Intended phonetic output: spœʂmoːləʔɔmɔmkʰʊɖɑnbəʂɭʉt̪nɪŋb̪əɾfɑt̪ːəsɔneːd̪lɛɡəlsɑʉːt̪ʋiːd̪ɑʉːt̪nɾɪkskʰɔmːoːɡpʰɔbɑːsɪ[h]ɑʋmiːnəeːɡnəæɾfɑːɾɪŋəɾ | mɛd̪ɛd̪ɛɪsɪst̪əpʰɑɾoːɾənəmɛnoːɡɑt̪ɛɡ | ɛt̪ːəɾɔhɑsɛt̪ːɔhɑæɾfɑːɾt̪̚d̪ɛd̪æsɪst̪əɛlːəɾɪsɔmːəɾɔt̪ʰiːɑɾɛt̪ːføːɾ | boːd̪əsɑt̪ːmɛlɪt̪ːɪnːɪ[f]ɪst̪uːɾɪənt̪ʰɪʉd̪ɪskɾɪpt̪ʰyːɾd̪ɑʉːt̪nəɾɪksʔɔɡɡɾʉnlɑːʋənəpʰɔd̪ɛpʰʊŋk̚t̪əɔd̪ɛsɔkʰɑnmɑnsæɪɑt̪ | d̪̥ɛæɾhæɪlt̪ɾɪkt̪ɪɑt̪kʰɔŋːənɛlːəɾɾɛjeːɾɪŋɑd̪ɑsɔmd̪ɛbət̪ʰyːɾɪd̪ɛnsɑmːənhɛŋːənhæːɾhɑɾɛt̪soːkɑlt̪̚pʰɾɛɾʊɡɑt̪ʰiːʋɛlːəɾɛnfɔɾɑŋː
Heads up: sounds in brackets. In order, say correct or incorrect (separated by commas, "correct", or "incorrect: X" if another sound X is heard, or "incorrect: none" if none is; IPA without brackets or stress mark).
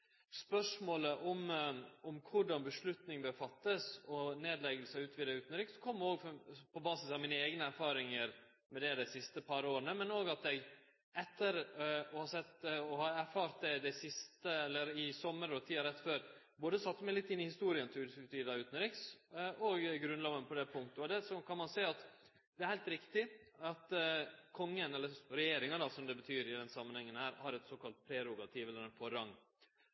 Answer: incorrect: s, incorrect: h